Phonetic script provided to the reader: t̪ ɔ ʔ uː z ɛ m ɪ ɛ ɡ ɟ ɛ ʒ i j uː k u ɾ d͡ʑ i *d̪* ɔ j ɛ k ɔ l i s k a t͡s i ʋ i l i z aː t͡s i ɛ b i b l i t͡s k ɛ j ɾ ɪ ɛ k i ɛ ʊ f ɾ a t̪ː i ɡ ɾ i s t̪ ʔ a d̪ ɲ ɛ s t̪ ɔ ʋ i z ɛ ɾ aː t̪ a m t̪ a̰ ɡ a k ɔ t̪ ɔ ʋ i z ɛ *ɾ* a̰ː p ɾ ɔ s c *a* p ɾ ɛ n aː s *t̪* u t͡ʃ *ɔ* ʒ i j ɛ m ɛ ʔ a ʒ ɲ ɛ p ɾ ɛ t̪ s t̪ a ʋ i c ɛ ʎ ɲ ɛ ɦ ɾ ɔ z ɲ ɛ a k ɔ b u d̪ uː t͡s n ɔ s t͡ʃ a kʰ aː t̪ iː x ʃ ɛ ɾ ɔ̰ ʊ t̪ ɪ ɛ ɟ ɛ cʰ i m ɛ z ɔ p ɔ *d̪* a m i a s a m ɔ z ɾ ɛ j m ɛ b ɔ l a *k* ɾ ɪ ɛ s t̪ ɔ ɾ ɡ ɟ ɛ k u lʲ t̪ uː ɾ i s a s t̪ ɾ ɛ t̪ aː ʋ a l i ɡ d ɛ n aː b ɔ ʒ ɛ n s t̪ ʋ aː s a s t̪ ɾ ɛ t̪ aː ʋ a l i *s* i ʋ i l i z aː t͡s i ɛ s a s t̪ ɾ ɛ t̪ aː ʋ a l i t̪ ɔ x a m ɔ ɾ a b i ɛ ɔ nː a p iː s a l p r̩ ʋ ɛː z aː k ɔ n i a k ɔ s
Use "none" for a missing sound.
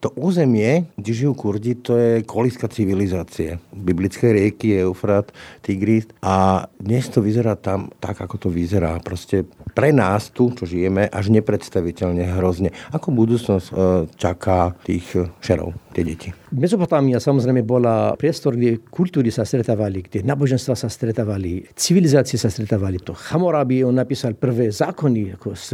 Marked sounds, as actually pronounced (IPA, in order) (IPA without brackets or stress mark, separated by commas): t̪, ɾ, ɛ, t̪, ɔ, t̪, p, t͡s